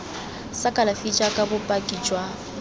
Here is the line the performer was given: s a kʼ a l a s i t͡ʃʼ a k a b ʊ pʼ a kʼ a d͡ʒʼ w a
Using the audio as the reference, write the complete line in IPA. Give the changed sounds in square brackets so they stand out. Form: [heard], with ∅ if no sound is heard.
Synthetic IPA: s a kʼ a l a [f] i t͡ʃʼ a [kʼ] a b ʊ pʼ a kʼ [i] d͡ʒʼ w a